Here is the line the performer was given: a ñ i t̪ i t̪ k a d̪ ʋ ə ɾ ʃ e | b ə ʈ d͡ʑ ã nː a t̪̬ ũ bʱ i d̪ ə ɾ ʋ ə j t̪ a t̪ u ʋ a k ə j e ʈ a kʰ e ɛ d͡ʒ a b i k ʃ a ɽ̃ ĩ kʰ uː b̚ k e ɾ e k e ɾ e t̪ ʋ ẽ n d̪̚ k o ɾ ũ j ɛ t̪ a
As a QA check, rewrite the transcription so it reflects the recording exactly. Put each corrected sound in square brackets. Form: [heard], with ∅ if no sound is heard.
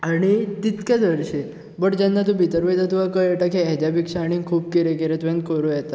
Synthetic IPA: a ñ i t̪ i t̪ k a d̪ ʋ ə ɾ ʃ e | b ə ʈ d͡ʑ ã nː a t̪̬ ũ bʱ i [t̪] ə ɾ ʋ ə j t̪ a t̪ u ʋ a k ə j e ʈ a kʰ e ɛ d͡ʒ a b i k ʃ a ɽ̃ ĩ kʰ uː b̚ k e ɾ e k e ɾ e t̪ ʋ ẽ n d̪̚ k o ɾ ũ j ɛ t̪ a